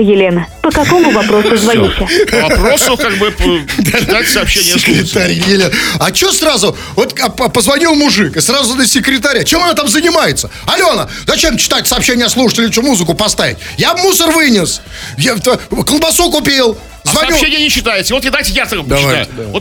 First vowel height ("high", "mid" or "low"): high